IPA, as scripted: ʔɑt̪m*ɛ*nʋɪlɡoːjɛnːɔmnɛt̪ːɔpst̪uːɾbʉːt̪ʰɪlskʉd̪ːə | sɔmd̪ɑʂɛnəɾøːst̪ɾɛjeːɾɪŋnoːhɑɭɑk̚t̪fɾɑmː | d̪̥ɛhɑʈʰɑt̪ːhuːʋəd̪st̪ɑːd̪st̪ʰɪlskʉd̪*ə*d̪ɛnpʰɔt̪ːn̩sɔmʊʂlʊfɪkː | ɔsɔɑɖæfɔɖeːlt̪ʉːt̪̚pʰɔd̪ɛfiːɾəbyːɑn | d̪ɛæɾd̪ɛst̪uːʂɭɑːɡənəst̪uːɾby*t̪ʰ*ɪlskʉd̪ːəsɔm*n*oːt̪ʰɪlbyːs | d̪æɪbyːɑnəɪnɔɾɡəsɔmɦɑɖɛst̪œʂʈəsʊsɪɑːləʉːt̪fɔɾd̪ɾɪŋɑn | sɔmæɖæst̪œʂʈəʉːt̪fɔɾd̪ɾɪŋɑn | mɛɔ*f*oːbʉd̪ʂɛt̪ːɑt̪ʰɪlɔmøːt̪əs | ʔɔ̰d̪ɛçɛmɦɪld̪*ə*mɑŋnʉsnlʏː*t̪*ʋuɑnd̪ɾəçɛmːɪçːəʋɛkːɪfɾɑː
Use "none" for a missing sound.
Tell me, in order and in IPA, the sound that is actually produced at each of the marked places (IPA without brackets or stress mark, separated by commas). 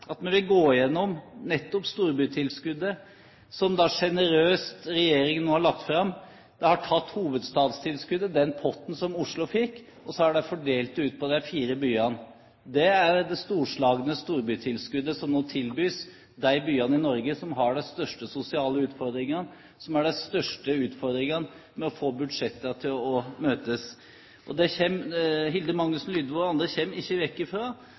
ɛ, ə, t̪ʰ, n, f, ə, d̪